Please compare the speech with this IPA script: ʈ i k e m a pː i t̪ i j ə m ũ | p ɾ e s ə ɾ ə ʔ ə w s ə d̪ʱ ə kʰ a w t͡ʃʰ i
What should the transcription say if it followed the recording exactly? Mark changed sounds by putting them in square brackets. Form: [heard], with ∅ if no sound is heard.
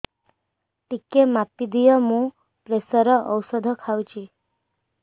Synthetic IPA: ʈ i k e m a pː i [d̪] i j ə m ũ | p ɾ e s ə ɾ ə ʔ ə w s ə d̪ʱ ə kʰ a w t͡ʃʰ i